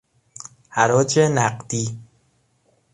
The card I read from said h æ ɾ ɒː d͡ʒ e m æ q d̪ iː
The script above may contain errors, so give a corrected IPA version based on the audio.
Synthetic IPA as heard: h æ ɾ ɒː d͡ʒ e n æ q d̪ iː